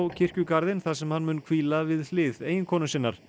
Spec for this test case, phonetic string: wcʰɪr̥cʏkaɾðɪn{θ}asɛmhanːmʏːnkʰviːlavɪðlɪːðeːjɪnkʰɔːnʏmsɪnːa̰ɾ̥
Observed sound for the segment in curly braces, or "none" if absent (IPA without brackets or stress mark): θ